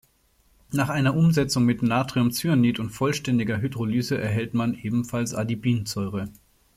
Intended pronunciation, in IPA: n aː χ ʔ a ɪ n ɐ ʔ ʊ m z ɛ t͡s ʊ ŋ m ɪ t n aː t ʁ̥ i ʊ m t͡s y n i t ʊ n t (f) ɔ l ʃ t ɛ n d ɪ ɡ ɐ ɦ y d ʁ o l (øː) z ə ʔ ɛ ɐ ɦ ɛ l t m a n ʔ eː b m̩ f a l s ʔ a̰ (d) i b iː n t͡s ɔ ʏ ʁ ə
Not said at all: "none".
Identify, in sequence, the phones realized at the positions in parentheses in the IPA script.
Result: f, yː, d

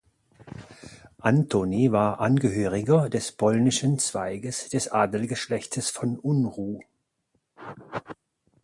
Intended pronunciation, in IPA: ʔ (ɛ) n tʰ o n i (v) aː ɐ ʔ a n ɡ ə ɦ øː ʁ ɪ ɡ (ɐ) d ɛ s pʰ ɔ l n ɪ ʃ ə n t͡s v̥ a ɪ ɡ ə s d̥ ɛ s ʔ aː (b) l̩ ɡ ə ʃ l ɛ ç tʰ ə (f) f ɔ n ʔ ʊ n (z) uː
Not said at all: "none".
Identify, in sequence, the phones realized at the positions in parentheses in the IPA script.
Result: a, v, ɐ, d, s, ʁ

